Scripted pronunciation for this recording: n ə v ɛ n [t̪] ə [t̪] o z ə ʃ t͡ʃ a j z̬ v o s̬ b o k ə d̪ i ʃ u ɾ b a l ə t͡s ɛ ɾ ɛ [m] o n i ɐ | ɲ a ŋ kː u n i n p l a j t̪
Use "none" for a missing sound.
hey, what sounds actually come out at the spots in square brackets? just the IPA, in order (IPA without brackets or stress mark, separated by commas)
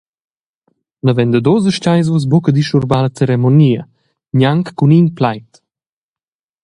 d̪, d̪, m